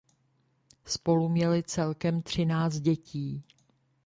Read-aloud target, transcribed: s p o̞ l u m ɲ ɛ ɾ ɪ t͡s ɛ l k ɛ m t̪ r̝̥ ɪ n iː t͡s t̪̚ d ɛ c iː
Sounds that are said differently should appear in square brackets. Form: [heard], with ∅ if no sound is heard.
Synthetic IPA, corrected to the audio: s p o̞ l u m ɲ ɛ [l] ɪ t͡s ɛ l k ɛ m t̪ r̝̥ ɪ n [aː] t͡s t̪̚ [ɟ] ɛ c iː